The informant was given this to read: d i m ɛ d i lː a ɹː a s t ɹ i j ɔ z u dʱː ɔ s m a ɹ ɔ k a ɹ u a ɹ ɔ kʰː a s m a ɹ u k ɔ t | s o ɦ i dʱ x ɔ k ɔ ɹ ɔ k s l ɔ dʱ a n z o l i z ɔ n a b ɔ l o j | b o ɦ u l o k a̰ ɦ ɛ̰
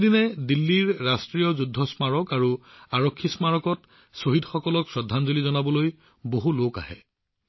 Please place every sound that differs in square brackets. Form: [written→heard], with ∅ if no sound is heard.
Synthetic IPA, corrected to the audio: d i [m→n] ɛ d i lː [a→i] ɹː a s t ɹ i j ɔ z u dʱː ɔ s m a ɹ ɔ k a ɹ u a ɹ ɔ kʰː [a→i] s m a ɹ [u→ɔ] k ɔ t | s o ɦ i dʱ x ɔ k ɔ [ɹ→l] ɔ k s [l→ɹ] ɔ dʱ a n z o l i z ɔ n a b ɔ l o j | b o ɦ u l o k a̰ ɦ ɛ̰

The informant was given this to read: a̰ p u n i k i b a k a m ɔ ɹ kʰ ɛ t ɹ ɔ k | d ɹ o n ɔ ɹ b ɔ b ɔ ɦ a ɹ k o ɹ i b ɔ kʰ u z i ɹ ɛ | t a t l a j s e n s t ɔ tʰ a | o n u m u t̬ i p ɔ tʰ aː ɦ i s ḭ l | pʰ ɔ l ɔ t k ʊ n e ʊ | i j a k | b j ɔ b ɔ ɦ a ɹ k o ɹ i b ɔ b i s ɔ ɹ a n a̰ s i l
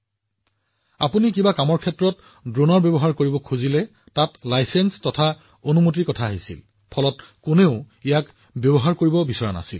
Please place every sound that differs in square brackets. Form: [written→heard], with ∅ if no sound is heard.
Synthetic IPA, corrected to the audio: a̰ p u n i k i b a k a m ɔ ɹ kʰ ɛ t ɹ ɔ [k→t] | d ɹ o n ɔ ɹ b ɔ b ɔ ɦ a ɹ k o ɹ i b ɔ kʰ u z i [ɹ→l] ɛ | t a t l a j s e n s t ɔ tʰ a | o n u m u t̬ i [p→k] ɔ tʰ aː ɦ i s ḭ l | pʰ ɔ l ɔ t k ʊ n e ʊ | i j a k | b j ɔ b ɔ ɦ a ɹ k o ɹ i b ɔ b i s ɔ ɹ a n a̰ s i l

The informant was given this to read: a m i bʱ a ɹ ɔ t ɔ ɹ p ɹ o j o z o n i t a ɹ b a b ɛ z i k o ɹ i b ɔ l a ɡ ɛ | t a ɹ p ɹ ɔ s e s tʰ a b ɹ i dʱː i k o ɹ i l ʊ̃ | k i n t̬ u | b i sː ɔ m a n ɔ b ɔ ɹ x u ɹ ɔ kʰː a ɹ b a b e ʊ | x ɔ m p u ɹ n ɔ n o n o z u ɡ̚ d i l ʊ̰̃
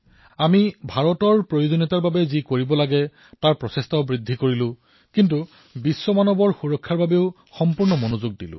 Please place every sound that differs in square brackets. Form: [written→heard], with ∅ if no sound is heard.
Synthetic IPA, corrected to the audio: a m i bʱ a ɹ ɔ t ɔ ɹ p ɹ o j o z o n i t a ɹ b a b ɛ z i k o ɹ i b ɔ l a ɡ ɛ | t a ɹ p ɹ ɔ s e s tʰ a b ɹ i dʱː i k o ɹ i l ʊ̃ | k i n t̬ u | b i sː ɔ m a n ɔ b ɔ ɹ x u ɹ ɔ kʰː a ɹ b a b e ʊ | x ɔ m p u ɹ n ɔ [n→m] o n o z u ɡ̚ d i l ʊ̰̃

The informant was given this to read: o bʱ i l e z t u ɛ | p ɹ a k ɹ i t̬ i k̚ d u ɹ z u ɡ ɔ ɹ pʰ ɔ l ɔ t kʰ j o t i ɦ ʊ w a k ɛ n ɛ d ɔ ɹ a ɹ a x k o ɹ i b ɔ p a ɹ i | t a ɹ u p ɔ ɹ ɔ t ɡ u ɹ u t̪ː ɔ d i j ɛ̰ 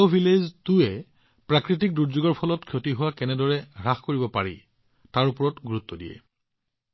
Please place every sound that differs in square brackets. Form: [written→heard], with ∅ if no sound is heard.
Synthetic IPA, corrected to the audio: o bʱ i l e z t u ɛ | p ɹ a k ɹ i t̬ i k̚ d u ɹ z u ɡ ɔ ɹ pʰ ɔ l ɔ t kʰ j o t i ɦ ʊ w a k ɛ n ɛ d ɔ ɹ [a→ɛ] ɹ a x k o ɹ i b ɔ p a ɹ i | t a ɹ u p ɔ ɹ ɔ t ɡ u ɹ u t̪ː ɔ d i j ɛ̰

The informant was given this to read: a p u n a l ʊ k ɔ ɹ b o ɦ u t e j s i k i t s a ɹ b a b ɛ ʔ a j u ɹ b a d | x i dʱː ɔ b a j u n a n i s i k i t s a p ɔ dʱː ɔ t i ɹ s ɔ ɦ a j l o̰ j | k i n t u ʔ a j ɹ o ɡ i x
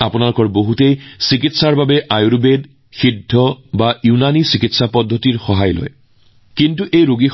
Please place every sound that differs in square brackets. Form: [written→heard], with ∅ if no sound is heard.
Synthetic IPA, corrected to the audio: a p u n a l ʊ k ɔ ɹ b o ɦ u t e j s i k i t s a ɹ b a b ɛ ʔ a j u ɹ b [a→e] d | x i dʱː ɔ b a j u n a n i s i k i t s a p ɔ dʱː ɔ t i ɹ [s→x] ɔ ɦ a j l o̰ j | k i n t u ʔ [a→e] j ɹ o ɡ i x

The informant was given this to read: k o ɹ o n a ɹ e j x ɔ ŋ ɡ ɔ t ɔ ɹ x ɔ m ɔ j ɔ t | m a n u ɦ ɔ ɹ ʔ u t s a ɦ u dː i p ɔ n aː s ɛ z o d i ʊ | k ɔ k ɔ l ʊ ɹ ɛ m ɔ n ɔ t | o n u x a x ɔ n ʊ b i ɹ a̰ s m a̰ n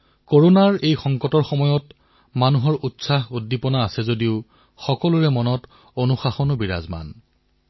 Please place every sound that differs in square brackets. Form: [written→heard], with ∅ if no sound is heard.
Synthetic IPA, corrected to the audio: k o ɹ o n a ɹ e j x ɔ ŋ [ɡ→k] ɔ t ɔ ɹ x ɔ m ɔ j ɔ t | m a n u ɦ ɔ ɹ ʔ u t s a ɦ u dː i p ɔ n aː s ɛ z o d i ʊ | [k→x] ɔ k ɔ l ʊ ɹ ɛ m ɔ n ɔ t | o n u x a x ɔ n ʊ b i ɹ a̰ [s→z] m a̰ n

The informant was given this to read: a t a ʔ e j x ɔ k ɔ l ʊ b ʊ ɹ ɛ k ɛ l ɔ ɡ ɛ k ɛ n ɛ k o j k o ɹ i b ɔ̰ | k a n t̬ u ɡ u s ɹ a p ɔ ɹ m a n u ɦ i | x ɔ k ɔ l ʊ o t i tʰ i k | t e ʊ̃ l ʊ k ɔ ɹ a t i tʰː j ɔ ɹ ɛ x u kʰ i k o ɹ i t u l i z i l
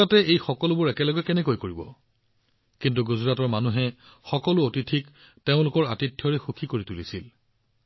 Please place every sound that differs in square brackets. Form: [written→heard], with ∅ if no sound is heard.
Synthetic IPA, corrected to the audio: a t [a→ɛ] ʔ e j x ɔ k ɔ l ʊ b ʊ ɹ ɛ k ɛ l ɔ ɡ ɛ k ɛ n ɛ k o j k o ɹ i b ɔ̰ | k [a→i] n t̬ u ɡ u [s→z] ɹ a [p→t] ɔ ɹ m a n u ɦ [i→ɛ] | x ɔ k ɔ l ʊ o t i tʰ i k | t e ʊ̃ l ʊ k ɔ ɹ a t i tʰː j ɔ ɹ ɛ x u kʰ i k o ɹ i t u l i [z→s] i l

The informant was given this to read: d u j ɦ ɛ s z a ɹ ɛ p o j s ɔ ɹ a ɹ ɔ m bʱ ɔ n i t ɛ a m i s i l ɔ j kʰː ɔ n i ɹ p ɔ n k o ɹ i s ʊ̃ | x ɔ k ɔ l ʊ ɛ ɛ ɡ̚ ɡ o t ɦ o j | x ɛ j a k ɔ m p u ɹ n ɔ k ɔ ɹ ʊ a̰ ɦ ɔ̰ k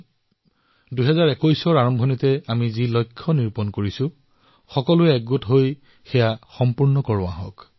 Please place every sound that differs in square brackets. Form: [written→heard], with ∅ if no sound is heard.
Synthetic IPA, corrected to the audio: d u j ɦ ɛ [s→∅] z a ɹ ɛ [p→k] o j s ɔ ɹ a ɹ ɔ m bʱ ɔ n i t ɛ a m i [s→z] i l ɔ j kʰː ɔ n i ɹ p ɔ n k o ɹ i s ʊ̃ | x ɔ k ɔ l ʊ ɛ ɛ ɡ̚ ɡ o t ɦ o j | x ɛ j a [k→x] ɔ m p u ɹ n ɔ k ɔ ɹ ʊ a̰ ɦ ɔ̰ k

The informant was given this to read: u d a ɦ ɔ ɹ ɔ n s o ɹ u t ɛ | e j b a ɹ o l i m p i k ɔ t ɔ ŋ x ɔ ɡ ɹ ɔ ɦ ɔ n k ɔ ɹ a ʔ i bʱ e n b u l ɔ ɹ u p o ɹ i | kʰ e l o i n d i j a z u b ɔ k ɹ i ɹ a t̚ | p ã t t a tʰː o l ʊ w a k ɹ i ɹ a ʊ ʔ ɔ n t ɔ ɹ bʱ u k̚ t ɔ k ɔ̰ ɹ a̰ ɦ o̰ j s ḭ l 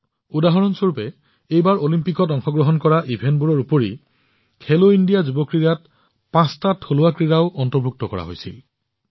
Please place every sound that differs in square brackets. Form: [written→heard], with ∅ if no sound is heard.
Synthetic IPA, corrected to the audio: u d a ɦ ɔ ɹ ɔ n s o ɹ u [t→p] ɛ | e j b a ɹ o l i m p i k ɔ t ɔ ŋ x ɔ ɡ ɹ ɔ ɦ ɔ n k ɔ ɹ a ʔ i bʱ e n b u [l→ɹ] ɔ ɹ u p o ɹ i | kʰ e l o i n d i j a z u b ɔ k ɹ i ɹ a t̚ | p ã [t→s] t a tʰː o l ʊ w a k ɹ i ɹ a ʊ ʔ ɔ n t ɔ ɹ bʱ u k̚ t ɔ k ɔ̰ ɹ a̰ ɦ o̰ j s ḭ l

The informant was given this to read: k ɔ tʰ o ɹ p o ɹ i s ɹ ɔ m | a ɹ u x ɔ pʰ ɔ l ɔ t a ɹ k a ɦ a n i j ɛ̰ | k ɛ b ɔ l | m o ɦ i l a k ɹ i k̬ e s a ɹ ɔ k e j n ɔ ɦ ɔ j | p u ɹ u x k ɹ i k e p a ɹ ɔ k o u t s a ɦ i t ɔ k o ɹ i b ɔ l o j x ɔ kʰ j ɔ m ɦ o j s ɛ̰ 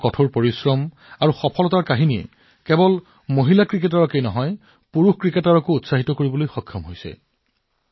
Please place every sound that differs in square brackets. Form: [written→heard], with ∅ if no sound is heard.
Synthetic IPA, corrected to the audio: k ɔ tʰ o ɹ p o ɹ i s ɹ ɔ m | a ɹ u x ɔ pʰ ɔ l ɔ t a ɹ k a ɦ [a→i] n i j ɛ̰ | k ɛ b ɔ l | m o ɦ i l a k ɹ i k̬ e [s→t] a ɹ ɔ k e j n ɔ ɦ ɔ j | p u ɹ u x k ɹ i k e [p→t] a ɹ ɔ k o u t s a ɦ i t ɔ k o ɹ i b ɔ l o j x ɔ kʰ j ɔ m ɦ o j s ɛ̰

